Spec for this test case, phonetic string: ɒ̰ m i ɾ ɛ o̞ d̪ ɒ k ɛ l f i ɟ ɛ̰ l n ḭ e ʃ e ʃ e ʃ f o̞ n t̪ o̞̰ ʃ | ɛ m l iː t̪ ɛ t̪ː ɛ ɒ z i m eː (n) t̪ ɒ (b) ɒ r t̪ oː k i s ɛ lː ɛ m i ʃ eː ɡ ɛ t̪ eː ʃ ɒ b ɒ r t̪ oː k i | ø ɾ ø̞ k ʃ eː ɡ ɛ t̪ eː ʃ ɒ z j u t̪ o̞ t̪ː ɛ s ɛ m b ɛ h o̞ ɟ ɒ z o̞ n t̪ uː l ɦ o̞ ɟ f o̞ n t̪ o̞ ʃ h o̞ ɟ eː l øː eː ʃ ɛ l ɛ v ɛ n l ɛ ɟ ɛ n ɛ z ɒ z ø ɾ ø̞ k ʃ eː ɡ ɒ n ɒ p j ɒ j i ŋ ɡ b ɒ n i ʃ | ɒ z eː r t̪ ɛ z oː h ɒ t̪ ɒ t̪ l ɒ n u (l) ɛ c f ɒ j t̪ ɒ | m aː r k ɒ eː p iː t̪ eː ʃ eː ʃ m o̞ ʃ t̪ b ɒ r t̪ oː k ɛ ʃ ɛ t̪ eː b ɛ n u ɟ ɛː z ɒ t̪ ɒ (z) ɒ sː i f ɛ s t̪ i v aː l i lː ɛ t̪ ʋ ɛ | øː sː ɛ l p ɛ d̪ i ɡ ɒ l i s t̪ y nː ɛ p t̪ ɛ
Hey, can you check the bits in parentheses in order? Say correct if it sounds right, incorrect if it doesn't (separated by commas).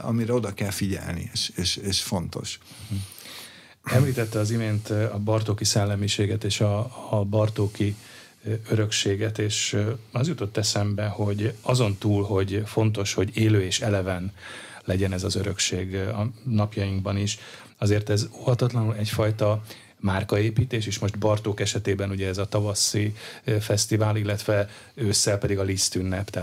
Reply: correct, correct, correct, incorrect